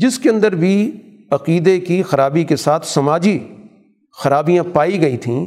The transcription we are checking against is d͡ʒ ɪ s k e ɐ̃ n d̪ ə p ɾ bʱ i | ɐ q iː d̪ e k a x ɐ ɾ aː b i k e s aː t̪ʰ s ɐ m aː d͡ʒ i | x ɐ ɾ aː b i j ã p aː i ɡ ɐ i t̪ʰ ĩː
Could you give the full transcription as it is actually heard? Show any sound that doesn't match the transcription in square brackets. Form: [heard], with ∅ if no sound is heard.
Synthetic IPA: d͡ʒ ɪ s k e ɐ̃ n d̪ ə [∅] ɾ bʱ i | ɐ q iː d̪ e k [i] x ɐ ɾ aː b i k e s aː t̪ʰ s ɐ m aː d͡ʒ i | x ɐ ɾ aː b i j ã p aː i ɡ ɐ i t̪ʰ ĩː